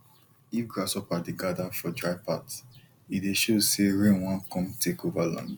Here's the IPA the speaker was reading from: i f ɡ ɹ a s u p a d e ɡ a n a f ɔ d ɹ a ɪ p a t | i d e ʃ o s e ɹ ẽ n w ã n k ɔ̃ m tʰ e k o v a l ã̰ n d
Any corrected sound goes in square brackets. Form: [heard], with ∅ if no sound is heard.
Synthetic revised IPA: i f ɡ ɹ a s [ɔ] p a d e ɡ a [d] a f ɔ d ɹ a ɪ p a t | i d e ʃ o s e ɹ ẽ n w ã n k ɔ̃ m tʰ e k o v a l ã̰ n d